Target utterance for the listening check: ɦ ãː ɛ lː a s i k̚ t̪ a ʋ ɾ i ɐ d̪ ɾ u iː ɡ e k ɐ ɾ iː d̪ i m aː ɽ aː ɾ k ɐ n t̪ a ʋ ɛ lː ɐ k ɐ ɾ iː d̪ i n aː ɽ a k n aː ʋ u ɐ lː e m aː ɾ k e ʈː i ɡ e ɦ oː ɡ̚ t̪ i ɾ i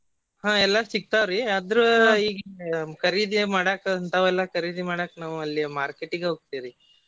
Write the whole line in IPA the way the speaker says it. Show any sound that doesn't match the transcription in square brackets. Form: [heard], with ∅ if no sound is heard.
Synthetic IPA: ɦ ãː ɛ lː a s i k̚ t̪ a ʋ ɾ i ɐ d̪ ɾ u iː ɡ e k ɐ ɾ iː d̪ i m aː ɽ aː [∅] k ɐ n t̪ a ʋ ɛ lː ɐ k ɐ ɾ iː d̪ i [m] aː ɽ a k n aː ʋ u ɐ lː [i] m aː ɾ k e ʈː i ɡ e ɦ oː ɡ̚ t̪ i ɾ i